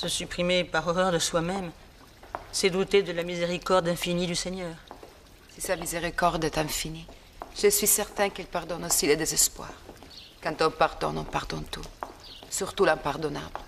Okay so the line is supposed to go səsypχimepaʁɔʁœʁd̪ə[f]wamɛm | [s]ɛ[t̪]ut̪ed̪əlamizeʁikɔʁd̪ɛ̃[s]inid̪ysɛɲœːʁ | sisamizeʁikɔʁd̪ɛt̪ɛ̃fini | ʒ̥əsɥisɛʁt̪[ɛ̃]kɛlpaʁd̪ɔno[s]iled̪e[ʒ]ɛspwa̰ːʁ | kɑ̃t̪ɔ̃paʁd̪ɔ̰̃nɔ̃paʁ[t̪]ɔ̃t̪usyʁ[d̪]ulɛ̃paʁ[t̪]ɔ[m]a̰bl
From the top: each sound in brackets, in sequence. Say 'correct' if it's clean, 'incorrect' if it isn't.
incorrect: s, correct, incorrect: d̪, incorrect: f, correct, correct, incorrect: z, incorrect: d̪, incorrect: t̪, incorrect: d̪, incorrect: n

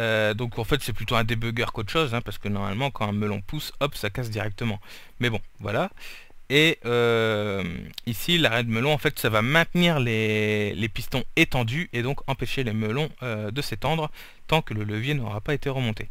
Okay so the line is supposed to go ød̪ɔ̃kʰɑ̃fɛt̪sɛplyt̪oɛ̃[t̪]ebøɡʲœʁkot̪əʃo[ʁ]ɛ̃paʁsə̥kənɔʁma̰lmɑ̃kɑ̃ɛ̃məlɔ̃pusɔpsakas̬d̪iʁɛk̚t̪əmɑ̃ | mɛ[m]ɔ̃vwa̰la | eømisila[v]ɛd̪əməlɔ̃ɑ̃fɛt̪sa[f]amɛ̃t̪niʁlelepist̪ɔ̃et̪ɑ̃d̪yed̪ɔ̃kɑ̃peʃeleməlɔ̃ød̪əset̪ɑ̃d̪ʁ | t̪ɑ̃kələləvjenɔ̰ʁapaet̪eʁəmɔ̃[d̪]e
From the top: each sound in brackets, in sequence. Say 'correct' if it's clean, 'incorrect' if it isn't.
incorrect: d̪, incorrect: z, incorrect: b, incorrect: ʁ, incorrect: v, incorrect: t̪

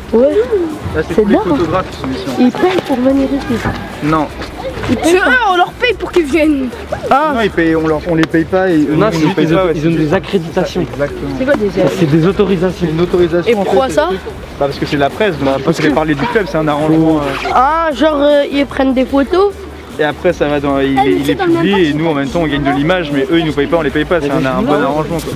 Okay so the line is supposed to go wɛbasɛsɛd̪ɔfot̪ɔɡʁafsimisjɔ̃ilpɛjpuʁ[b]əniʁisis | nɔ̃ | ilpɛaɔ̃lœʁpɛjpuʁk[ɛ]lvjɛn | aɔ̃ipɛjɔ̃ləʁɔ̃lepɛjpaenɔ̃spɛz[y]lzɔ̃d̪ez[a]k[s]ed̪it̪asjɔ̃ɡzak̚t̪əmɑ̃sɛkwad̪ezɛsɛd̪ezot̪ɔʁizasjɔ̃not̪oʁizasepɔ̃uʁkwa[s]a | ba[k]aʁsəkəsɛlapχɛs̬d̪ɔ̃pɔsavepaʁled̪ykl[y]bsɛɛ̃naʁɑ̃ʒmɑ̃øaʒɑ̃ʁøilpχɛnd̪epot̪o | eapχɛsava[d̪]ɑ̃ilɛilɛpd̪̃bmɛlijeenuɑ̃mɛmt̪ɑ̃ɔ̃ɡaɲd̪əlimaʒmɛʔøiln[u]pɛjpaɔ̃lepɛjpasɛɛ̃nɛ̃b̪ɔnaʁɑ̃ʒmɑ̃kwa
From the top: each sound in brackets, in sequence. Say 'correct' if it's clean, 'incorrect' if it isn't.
incorrect: v, incorrect: i, incorrect: i, correct, incorrect: χ, correct, incorrect: p, incorrect: œ, correct, correct

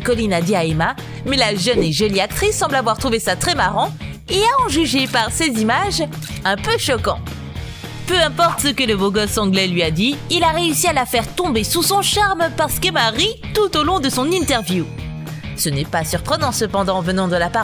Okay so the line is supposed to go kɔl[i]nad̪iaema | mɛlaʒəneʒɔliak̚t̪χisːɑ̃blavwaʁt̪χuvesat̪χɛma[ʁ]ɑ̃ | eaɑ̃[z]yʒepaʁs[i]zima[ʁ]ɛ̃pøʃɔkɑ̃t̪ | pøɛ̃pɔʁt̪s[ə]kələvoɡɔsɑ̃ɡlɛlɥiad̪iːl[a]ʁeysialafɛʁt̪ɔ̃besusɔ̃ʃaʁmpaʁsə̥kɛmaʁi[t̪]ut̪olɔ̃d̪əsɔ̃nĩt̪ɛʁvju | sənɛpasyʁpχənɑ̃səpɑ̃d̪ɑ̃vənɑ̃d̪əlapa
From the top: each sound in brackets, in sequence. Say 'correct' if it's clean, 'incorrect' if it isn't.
correct, correct, incorrect: ʒ, incorrect: e, incorrect: ʒ, correct, correct, correct

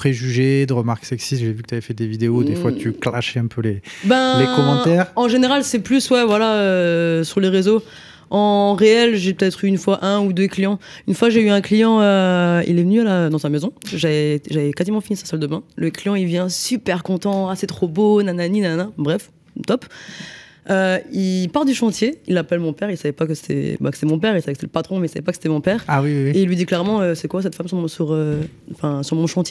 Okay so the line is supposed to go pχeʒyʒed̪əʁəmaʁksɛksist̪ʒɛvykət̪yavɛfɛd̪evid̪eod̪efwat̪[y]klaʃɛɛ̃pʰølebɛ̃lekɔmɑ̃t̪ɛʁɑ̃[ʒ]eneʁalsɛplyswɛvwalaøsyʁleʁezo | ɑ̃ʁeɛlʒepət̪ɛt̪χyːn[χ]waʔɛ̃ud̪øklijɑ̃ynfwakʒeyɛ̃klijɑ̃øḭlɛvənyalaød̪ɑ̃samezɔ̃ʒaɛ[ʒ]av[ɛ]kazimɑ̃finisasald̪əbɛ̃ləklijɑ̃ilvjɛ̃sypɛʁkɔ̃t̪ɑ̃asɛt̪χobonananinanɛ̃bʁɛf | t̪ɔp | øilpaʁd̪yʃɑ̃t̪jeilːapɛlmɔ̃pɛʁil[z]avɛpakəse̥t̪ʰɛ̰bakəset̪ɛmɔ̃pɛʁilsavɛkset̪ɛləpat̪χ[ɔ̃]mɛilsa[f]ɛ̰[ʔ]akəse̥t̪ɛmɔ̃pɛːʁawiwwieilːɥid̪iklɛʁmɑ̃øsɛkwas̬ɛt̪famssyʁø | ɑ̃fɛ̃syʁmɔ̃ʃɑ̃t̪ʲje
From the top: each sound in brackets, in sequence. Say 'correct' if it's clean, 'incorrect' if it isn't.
correct, correct, incorrect: f, correct, correct, incorrect: s, correct, incorrect: v, incorrect: p

